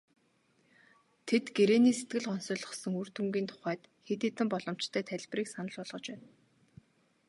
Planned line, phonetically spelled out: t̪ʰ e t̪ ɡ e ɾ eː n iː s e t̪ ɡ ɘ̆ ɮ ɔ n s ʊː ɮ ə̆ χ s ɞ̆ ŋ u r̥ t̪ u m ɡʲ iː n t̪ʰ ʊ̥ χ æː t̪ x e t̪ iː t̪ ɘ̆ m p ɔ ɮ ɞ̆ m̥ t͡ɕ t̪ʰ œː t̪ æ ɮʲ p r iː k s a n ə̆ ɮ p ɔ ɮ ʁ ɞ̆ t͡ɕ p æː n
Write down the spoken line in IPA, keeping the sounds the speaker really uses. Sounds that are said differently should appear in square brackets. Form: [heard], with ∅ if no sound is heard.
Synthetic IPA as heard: t̪ʰ e t̪ ɡ e ɾ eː n iː s e t̪ ɡ ɘ̆ ɮ ɔ n s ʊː ɮ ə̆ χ s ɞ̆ ŋ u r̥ t̪ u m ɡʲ iː n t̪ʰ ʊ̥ χ æː t̪ x e t̪ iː t̪ ɘ̆ m p ɔ ɮ ɞ̆ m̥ t͡ɕ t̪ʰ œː [t̪ʰ] æ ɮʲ p r iː k s a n ə̆ ɮ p ɔ ɮ ʁ ɞ̆ t͡ɕ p æː n